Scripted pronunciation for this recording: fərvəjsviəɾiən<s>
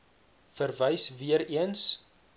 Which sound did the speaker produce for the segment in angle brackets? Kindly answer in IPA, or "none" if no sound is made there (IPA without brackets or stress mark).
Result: s